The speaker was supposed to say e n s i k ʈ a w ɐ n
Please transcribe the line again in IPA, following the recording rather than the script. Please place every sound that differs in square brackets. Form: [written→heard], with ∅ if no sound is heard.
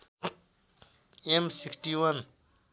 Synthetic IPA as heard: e [n→m] s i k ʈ [a→i] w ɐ n

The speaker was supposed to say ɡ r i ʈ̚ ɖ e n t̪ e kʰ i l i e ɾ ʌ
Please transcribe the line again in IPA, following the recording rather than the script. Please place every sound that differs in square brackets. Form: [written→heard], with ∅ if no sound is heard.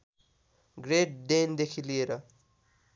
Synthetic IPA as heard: ɡ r [i→e] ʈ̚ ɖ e n [t̪→d̪] e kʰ i l i e ɾ ʌ

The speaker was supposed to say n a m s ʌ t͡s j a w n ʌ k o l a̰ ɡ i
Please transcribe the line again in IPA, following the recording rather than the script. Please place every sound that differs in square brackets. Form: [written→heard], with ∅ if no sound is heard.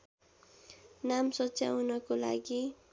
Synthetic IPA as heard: n a m s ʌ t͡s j a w n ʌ k o l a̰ ɡ i

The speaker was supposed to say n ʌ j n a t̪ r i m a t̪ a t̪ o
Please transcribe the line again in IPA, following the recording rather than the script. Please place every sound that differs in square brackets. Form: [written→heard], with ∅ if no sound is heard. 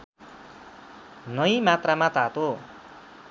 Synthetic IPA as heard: n ʌ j [n→m] a t̪ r [i→a] m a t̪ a t̪ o

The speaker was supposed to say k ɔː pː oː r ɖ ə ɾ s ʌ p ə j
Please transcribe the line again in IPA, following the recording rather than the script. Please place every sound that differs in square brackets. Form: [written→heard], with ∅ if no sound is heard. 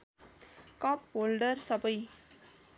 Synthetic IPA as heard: k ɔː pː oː [r→l] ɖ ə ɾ s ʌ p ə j

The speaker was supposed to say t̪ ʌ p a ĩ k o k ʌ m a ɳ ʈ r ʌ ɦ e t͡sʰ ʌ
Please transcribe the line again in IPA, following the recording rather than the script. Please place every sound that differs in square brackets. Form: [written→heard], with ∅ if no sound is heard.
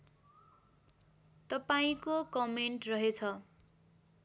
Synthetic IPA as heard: t̪ ʌ p a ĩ k o k ʌ m [a→e] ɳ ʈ r ʌ ɦ e t͡sʰ ʌ

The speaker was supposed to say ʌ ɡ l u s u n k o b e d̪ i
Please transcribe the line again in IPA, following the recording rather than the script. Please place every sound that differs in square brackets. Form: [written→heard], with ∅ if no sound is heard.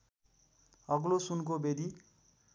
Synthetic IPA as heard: ʌ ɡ l [u→o] s u n k o b e d̪ i

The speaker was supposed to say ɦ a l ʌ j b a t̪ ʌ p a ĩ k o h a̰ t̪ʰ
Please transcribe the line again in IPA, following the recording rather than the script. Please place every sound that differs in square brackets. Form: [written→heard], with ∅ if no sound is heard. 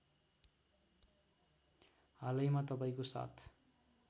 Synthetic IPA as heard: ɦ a l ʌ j [b→m] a t̪ ʌ p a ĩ k o [h→s] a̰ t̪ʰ

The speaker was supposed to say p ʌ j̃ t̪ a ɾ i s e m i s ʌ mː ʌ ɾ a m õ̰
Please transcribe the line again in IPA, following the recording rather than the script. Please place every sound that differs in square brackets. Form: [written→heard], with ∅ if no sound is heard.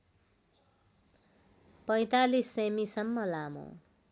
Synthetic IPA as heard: p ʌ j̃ t̪ a [ɾ→l] i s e m i s ʌ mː ʌ [ɾ→l] a m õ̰

